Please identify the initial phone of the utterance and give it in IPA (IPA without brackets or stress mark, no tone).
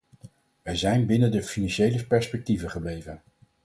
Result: ʋ